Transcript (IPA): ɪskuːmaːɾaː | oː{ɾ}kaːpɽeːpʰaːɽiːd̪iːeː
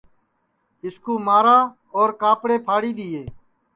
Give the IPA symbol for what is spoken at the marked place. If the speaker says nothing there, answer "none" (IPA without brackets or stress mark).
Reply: ɾ